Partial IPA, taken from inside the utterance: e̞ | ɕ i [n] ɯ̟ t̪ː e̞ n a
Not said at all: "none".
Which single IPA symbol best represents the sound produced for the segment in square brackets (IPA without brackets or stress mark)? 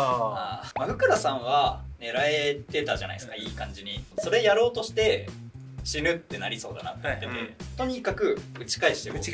n